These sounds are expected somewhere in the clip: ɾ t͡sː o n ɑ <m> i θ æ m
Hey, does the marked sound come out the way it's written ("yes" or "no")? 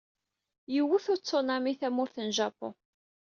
yes